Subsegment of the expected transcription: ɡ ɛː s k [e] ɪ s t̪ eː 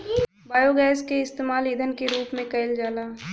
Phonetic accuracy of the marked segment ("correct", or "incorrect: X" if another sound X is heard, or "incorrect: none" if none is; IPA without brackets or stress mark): correct